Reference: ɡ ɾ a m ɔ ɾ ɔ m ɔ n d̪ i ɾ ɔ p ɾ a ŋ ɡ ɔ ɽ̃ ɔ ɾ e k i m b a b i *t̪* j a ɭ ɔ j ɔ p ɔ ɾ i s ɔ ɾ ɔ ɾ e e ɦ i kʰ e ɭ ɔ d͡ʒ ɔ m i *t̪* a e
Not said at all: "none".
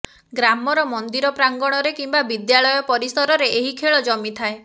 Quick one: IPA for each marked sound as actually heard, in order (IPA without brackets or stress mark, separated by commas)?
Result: d̪, t̪ʰ